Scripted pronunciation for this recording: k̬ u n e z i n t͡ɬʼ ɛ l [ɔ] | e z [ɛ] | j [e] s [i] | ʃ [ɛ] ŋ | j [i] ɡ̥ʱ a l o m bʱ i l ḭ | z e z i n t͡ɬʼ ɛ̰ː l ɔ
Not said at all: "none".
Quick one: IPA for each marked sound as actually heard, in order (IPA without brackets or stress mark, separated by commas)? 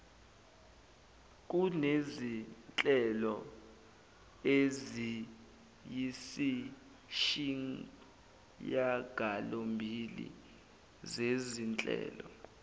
ɔ, i, i, i, i, a